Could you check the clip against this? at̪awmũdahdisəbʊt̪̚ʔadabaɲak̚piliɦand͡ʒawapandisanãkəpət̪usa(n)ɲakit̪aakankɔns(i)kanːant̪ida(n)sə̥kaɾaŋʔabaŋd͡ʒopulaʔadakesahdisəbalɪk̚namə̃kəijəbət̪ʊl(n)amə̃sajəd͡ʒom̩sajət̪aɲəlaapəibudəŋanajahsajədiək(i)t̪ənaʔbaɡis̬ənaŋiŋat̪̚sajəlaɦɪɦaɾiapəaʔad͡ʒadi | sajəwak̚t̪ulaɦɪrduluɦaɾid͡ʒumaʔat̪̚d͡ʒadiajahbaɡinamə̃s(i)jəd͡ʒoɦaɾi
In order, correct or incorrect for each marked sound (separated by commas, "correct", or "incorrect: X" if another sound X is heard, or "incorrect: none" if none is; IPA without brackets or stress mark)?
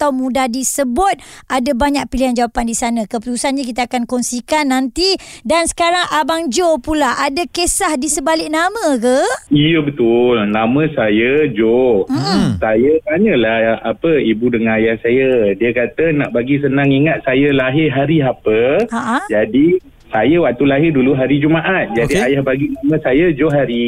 correct, correct, correct, correct, incorrect: a, incorrect: a